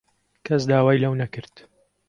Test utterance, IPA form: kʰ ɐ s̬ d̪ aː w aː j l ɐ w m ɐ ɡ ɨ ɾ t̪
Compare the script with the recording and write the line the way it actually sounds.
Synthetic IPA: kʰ ɐ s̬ d̪ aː w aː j l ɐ w n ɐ k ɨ ɾ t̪

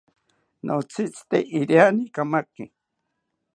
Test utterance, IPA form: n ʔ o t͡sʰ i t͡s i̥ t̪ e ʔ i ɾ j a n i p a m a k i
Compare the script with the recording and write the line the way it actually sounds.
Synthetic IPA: n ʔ o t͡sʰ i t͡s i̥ t̪ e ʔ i ɾ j a n i k a m a k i

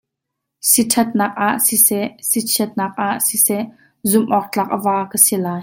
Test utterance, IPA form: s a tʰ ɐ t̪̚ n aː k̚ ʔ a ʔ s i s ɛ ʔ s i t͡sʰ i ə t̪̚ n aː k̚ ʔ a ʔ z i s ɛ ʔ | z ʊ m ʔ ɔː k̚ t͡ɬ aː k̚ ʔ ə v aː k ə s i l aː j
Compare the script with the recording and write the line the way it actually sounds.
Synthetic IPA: s i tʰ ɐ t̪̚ n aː k̚ ʔ a ʔ s i s ɛ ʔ s i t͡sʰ i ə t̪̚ n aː k̚ ʔ a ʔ s i s ɛ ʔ | z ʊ m ʔ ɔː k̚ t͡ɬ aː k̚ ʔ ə v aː k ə s i l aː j

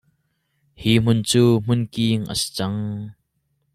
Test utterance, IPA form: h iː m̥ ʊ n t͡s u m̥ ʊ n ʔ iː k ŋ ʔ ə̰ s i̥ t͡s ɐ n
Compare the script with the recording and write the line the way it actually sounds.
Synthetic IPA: h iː m̥ ʊ n t͡s uː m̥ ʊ n k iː ŋ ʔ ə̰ s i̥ t͡s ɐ ŋ

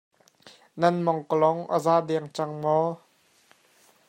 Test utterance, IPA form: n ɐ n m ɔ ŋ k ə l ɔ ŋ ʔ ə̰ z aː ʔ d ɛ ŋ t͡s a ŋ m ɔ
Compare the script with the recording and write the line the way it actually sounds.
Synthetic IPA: n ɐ n m ɔ ŋ k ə l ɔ ŋ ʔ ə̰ z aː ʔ d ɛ ŋ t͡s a ŋ m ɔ

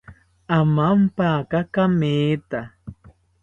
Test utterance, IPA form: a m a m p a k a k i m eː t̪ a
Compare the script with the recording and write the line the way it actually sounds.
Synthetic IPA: a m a m p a k a k a m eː t̪ a

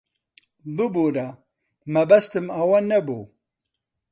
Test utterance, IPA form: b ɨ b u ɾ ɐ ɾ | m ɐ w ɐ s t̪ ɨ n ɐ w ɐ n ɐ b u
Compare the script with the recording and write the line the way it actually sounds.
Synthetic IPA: b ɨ b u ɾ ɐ | m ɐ b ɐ s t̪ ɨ m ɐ w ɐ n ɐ b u

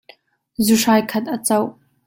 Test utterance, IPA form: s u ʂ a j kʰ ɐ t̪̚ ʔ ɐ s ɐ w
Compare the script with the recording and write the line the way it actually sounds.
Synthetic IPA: z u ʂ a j kʰ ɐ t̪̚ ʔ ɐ t͡s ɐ w

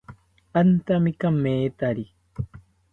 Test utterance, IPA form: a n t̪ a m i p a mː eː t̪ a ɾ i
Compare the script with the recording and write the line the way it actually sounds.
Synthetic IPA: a n t̪ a m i k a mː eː t̪ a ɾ i

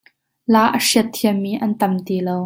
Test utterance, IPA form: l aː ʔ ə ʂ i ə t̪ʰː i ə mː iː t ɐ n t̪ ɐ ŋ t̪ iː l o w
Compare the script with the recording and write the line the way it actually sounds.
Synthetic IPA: l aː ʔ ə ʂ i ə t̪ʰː i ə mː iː ʔ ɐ n t̪ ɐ m t̪ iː l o w

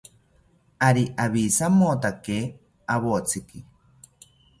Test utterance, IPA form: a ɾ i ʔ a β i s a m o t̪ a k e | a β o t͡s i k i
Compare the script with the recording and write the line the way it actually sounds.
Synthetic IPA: a ɾ i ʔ a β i s a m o t̪ a k e | a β o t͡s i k i

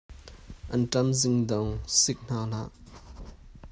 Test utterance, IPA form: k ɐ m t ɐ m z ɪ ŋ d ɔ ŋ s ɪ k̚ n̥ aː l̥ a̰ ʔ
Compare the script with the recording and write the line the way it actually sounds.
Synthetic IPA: ʔ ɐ n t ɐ m z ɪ ŋ d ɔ ŋ s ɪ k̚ n̥ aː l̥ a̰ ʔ

